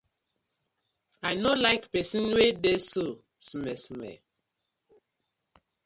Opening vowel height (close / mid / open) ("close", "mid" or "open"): open